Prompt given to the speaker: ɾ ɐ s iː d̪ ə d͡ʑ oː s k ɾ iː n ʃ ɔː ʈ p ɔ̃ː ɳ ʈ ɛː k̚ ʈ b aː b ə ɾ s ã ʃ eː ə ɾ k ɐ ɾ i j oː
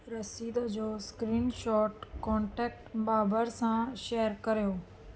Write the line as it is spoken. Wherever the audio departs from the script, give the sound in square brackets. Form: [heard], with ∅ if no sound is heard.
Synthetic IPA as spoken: ɾ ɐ s iː d̪ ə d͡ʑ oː s k ɾ iː n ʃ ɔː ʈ [k] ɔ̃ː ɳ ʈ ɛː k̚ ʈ b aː b ə ɾ s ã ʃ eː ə ɾ k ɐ ɾ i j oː